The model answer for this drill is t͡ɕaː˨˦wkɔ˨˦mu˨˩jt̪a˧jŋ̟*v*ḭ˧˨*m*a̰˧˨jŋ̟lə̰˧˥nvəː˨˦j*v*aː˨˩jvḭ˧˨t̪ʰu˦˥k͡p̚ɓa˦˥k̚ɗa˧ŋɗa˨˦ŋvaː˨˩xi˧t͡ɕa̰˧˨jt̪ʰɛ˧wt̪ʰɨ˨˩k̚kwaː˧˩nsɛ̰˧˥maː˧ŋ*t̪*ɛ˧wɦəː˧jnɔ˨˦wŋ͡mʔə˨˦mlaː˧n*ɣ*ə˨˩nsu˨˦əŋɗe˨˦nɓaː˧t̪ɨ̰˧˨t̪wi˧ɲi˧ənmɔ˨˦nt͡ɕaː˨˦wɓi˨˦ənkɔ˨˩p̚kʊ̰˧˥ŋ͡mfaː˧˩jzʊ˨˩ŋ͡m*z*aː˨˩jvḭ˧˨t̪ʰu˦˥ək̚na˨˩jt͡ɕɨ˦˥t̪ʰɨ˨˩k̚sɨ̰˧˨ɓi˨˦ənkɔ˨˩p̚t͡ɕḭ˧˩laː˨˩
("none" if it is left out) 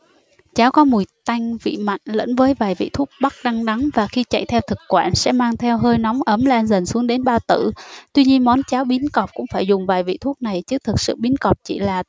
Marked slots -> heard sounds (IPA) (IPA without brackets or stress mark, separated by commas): v, m, v, t̪ʰ, z, v